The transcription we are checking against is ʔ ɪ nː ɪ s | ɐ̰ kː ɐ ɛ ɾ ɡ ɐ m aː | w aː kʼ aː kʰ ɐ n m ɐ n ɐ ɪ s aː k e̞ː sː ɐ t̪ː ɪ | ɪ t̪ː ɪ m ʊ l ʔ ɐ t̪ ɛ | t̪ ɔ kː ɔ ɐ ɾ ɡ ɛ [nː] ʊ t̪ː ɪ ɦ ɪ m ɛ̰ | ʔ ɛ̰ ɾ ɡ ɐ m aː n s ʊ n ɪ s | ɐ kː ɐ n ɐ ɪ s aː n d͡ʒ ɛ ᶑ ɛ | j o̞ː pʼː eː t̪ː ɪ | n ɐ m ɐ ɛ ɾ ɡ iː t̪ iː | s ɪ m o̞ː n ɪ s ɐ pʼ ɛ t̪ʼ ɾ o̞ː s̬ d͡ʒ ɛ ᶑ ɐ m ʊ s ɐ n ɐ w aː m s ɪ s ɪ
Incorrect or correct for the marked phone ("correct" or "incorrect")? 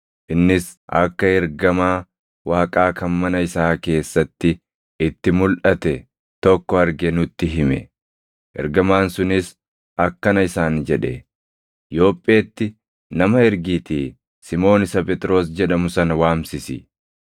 incorrect